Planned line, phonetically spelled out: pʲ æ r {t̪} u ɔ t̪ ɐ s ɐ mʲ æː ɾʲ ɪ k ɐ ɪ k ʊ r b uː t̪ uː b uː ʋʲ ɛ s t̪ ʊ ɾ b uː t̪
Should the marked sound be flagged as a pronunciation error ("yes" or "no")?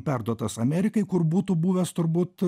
yes